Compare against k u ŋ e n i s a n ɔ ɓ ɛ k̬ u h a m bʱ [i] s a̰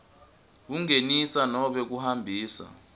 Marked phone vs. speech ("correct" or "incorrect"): incorrect